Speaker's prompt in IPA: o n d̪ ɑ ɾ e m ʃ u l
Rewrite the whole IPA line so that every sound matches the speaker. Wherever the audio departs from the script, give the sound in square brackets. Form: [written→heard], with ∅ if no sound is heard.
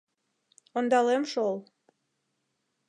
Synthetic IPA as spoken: o n d̪ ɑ [ɾ→l] e m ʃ [u→o] l